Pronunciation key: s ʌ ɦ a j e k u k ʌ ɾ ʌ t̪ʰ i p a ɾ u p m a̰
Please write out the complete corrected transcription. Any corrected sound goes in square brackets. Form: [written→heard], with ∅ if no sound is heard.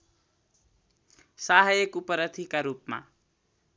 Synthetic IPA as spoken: s [ʌ→a] ɦ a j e k u [k→p] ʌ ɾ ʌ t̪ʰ i [p→k] a ɾ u p m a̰